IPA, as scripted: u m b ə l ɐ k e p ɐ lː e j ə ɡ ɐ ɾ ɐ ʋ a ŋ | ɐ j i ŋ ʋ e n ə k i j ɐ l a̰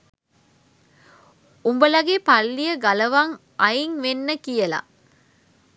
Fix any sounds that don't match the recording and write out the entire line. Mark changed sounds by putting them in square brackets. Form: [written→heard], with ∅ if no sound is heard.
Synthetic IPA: u m b ə l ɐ [k→ɡ] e p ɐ lː [e→i] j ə ɡ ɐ [ɾ→l] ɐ ʋ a ŋ | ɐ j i ŋ ʋ e [n→nː] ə k i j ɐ l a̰